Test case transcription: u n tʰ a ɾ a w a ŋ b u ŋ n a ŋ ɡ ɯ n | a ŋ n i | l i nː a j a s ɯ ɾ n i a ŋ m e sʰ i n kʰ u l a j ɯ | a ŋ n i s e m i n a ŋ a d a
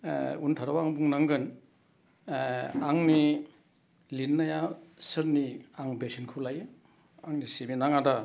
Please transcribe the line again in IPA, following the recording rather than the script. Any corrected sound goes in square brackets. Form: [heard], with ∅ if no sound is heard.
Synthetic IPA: u n tʰ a ɾ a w a ŋ b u ŋ n a ŋ ɡ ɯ n | a ŋ n i | l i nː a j a s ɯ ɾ n i a ŋ [b] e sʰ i n kʰ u l a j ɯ | a ŋ n i s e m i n a ŋ a d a